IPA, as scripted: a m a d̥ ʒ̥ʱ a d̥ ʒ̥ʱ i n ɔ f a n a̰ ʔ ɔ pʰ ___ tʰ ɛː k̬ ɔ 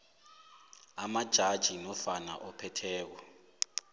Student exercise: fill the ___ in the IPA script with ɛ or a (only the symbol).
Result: ɛ